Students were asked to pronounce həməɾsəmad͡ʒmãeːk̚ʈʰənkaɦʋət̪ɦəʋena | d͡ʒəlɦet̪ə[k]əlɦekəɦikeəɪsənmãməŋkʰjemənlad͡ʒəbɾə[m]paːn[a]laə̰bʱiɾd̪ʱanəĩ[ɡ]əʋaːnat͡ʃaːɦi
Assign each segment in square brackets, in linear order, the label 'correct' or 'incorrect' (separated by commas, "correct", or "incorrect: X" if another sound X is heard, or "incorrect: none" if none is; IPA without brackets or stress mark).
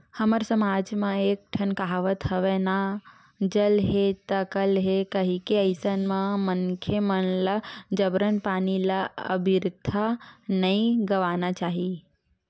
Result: correct, incorrect: n, incorrect: i, correct